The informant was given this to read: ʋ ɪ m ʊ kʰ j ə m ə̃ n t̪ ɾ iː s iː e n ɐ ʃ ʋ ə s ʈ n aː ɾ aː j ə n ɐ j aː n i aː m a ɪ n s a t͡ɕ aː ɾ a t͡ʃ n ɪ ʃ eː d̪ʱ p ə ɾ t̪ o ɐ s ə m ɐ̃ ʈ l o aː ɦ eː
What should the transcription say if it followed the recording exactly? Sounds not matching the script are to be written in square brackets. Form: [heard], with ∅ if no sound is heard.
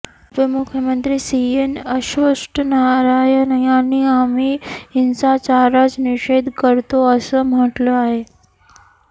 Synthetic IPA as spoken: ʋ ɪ m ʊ kʰ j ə m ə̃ n t̪ ɾ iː s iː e n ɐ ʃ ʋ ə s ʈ n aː ɾ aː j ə n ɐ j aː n i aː m [i] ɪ n s a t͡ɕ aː ɾ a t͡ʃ n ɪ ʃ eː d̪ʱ [k] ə ɾ t̪ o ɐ s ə m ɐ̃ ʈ l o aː ɦ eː